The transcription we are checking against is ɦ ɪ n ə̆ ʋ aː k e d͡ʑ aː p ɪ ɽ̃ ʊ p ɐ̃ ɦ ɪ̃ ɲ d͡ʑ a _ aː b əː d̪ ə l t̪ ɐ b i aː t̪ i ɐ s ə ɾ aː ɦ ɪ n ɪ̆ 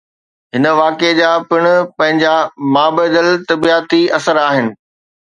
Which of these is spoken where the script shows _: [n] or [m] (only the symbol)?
m